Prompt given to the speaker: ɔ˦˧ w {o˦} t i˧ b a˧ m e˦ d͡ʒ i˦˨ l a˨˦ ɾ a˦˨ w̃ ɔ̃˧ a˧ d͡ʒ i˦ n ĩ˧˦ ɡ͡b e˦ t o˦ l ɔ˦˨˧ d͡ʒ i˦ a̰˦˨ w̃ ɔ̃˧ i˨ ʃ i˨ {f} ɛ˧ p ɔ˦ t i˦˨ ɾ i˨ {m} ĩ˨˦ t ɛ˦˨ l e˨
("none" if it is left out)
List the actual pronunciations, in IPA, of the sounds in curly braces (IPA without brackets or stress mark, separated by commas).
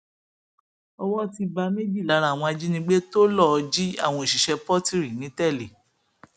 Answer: ɔ˦, ʃ, n